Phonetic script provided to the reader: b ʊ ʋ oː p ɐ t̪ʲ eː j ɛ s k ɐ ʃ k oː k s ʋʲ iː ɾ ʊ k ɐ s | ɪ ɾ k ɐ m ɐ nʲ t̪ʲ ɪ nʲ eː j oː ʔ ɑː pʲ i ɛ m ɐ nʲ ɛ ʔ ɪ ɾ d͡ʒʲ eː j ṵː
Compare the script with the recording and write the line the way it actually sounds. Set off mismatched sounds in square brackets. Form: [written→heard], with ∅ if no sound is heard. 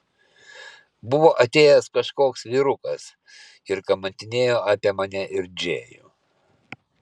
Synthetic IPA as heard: b ʊ ʋ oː [p→ʔ] ɐ t̪ʲ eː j ɛ s k ɐ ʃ k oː k s ʋʲ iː ɾ ʊ k ɐ s | ɪ ɾ k ɐ m ɐ nʲ t̪ʲ ɪ nʲ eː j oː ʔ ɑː pʲ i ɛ m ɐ nʲ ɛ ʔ ɪ ɾ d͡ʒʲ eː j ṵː